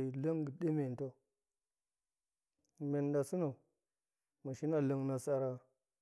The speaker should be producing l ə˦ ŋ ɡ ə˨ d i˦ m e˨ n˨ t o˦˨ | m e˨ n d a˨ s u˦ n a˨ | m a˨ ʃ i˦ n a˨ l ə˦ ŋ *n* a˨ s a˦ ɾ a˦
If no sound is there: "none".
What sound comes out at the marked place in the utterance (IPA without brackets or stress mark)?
n